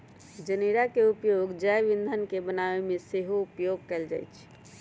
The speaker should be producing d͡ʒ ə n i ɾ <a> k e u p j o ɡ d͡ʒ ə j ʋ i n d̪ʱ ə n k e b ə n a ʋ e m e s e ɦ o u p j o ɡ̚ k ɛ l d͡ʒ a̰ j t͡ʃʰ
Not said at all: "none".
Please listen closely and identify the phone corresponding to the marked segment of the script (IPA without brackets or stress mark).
a